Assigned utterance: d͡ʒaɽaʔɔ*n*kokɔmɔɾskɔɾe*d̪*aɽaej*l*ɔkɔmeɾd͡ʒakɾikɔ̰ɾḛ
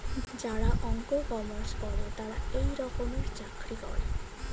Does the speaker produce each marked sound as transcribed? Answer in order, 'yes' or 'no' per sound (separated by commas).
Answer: no, no, no